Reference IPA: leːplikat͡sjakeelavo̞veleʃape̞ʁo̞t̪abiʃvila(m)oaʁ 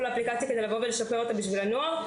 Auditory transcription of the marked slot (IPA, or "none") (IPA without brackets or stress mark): n